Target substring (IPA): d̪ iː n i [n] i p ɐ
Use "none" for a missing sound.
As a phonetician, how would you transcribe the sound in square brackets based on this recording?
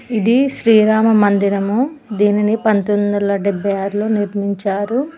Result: n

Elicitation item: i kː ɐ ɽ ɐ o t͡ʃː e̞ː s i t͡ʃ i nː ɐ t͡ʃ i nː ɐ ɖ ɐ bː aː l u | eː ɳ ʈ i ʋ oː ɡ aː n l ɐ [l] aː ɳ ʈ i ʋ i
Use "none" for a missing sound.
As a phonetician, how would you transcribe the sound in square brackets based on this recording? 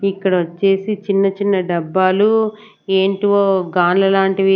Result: l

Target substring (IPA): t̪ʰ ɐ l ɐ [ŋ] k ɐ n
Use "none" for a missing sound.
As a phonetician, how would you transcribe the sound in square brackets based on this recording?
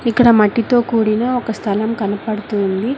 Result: m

